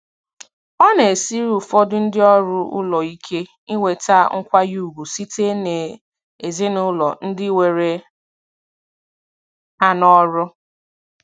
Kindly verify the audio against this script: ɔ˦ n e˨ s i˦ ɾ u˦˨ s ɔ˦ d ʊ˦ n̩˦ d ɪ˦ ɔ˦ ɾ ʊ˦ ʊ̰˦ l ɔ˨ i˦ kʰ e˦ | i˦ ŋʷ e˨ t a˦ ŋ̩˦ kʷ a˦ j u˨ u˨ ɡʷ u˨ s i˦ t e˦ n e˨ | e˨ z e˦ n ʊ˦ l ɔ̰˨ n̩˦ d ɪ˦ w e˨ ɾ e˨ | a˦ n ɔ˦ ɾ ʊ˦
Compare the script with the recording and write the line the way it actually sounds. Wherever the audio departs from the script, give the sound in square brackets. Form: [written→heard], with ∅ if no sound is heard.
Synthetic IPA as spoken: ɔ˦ n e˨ s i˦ ɾ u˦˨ [s→f] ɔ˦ d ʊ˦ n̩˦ d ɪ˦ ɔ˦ ɾ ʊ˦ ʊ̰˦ l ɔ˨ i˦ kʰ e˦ | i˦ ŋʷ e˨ t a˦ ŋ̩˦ kʷ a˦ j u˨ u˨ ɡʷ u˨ s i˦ t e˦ n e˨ | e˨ z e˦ n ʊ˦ l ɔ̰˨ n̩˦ d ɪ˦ w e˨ ɾ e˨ | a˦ n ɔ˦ ɾ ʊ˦